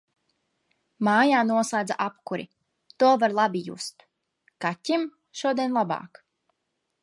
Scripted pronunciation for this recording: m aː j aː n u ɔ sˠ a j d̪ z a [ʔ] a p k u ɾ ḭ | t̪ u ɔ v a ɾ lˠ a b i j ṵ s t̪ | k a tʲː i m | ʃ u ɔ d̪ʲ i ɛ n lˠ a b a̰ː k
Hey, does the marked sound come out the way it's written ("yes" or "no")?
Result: yes